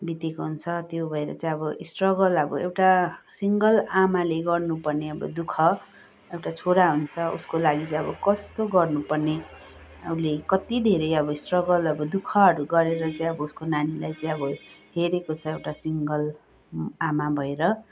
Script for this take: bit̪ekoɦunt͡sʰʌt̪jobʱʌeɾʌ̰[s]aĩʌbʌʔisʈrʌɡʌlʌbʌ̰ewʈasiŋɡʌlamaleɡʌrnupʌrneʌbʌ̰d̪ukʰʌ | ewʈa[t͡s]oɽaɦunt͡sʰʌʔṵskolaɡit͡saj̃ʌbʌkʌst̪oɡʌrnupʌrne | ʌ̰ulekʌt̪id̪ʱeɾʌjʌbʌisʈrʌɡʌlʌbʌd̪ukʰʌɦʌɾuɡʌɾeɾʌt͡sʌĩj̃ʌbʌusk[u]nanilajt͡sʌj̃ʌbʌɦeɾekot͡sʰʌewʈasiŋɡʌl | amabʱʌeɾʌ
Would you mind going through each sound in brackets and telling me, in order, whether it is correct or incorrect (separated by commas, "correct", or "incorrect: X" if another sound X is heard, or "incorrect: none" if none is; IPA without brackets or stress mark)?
incorrect: t͡s, incorrect: t͡sʰ, incorrect: o